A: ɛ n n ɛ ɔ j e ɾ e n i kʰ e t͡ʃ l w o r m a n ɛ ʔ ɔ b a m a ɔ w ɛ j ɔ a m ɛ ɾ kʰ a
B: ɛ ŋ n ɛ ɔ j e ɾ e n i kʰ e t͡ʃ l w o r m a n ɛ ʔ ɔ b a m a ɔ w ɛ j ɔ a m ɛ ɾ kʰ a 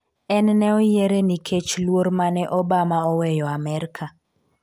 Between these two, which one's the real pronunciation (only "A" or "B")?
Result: A